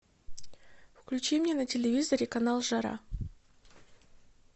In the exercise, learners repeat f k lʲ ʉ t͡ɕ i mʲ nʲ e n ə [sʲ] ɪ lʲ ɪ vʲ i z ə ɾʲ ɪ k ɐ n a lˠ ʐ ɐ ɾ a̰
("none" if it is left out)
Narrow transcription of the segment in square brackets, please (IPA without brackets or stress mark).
tʲ